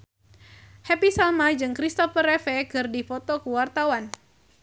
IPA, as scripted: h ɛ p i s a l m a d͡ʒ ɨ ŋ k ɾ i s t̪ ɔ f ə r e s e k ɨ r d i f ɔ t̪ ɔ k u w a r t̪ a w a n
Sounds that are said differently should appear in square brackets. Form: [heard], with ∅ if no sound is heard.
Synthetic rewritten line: h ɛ p i s a l m a d͡ʒ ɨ ŋ k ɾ i s t̪ ɔ f ə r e [f] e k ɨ r d i f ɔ t̪ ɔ k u w a r t̪ a w a n